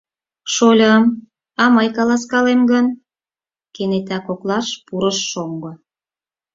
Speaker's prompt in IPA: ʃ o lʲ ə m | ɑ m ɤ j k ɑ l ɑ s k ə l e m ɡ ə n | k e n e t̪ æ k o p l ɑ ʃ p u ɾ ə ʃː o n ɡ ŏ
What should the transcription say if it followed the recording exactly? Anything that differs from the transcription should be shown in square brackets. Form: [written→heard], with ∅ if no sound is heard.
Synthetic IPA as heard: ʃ o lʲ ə m | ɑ m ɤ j k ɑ l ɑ s k [ə→ɑ] l e m ɡ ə n | k e n e t̪ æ k o [p→k] l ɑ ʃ p u ɾ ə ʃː o [n→ŋ] ɡ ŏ

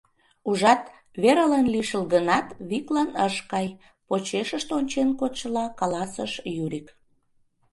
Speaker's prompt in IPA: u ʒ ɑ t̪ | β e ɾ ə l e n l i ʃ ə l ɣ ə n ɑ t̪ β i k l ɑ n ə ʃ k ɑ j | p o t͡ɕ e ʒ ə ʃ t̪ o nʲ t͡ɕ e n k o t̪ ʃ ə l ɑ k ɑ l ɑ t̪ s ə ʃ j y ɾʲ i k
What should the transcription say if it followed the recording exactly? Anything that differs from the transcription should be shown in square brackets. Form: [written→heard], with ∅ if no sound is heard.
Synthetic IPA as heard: u ʒ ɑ t̪ | β e ɾ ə l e n l i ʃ ə l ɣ ə n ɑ t̪ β i k l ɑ n ə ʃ k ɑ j | p o t͡ɕ e [ʒ→ʃ] ə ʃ t̪ o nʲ t͡ɕ e n k o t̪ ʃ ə l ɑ k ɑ l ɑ [t̪→∅] s ə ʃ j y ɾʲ i k

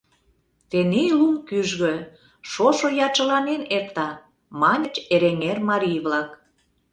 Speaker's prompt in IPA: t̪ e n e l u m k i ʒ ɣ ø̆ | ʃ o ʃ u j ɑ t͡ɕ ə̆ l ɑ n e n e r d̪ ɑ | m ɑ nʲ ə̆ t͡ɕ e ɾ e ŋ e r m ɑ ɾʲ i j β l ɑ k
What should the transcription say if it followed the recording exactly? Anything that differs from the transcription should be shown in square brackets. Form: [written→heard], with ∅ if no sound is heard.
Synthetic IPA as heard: t̪ e n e l u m k [i→y] ʒ ɣ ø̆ | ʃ o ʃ [u→o] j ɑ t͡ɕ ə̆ l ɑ n e n e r [d̪→t̪] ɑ | m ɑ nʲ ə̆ t͡ɕ e ɾ e ŋ e r m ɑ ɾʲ i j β l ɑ k

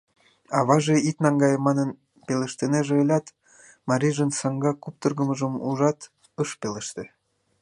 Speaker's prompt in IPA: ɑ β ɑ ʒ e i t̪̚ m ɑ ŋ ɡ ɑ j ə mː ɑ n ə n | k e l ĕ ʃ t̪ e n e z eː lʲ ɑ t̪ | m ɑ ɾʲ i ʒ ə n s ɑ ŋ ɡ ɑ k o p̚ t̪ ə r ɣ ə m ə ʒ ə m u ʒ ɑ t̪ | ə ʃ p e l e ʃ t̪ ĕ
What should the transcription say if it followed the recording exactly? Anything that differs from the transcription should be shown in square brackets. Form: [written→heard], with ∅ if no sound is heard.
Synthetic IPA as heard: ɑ β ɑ ʒ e i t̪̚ [m→n] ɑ ŋ ɡ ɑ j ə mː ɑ n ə n | [k→p] e l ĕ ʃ t̪ e n e [z→ʒ] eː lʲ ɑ t̪ | m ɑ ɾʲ i ʒ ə n s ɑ ŋ ɡ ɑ k [o→u] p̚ t̪ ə r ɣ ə m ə ʒ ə m u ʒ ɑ t̪ | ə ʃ p e l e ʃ t̪ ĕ

